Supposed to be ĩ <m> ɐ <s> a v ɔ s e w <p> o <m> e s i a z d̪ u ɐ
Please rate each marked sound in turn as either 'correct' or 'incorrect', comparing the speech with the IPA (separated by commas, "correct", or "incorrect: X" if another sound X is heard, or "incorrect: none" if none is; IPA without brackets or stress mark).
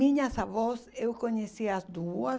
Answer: incorrect: ɲ, correct, incorrect: k, incorrect: ɲ